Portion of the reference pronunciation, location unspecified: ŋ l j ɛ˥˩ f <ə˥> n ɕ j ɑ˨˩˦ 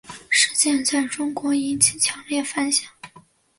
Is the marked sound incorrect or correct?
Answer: incorrect